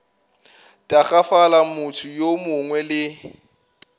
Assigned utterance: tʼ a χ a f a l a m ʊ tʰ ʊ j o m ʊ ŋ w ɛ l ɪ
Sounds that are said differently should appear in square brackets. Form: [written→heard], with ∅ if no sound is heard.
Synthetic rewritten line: tʼ a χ a f a l a m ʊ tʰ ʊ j o m ʊ ŋ w ɛ l ɪ